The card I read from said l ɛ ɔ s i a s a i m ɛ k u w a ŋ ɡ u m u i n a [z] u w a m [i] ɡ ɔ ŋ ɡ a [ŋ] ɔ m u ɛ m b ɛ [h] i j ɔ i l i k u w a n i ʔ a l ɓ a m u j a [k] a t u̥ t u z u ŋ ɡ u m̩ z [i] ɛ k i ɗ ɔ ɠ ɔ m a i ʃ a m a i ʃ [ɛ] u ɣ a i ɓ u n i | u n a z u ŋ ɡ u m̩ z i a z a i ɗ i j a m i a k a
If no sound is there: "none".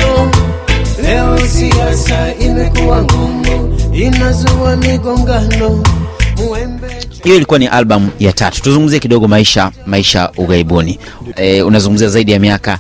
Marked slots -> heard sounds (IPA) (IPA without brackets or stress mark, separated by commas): z, i, n, h, t, i, a